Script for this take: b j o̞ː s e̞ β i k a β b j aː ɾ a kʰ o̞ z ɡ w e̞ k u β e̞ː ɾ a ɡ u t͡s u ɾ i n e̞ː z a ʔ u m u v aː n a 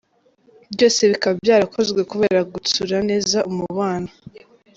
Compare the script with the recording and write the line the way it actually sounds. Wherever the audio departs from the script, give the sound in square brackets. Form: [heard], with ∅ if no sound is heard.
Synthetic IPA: b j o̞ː s e̞ β i k a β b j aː ɾ a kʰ o̞ z ɡ w e̞ k u β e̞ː ɾ a ɡ u t͡s u ɾ [a] n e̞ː z a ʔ u m u [β] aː n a